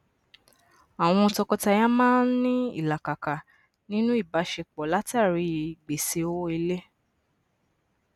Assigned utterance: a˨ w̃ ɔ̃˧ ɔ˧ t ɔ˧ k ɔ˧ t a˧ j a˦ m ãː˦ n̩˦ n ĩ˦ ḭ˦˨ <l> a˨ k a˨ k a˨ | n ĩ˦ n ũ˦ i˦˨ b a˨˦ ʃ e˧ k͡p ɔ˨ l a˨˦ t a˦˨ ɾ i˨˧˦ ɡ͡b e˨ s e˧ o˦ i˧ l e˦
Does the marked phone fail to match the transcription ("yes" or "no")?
no